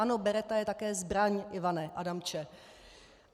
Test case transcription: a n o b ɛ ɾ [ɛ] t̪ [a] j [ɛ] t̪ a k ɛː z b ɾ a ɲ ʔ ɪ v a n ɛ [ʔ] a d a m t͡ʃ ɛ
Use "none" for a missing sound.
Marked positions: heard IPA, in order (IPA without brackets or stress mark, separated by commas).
ɛ, a, ɛ, ʔ